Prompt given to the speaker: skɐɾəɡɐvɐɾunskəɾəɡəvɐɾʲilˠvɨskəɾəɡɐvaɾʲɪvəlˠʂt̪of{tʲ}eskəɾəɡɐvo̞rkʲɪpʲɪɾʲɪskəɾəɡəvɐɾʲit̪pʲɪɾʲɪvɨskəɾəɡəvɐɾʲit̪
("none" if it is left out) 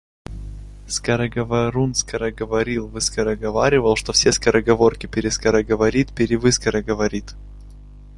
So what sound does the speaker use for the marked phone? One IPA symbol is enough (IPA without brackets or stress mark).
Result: sʲ